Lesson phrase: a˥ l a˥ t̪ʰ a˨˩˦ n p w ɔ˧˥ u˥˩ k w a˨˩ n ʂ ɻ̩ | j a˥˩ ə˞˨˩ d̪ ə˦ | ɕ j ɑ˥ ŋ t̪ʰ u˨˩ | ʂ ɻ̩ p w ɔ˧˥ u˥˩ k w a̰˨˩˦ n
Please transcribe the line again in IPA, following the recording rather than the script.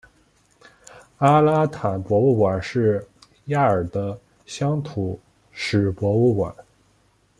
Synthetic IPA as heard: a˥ l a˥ t̪ʰ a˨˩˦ n p w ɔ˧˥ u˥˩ k w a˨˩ n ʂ ɻ̩ | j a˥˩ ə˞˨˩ d̪ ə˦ | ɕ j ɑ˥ ŋ t̪ʰ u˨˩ | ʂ ɻ̩ p w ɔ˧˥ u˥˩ k w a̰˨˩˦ n